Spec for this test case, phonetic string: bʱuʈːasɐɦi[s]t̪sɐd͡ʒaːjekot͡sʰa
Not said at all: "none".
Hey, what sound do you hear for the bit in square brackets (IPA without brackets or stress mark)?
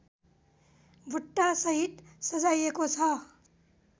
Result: none